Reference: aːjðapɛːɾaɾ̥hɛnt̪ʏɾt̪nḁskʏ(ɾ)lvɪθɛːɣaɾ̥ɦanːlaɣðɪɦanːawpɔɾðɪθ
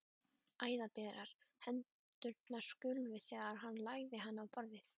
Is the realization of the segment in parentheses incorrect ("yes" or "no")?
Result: yes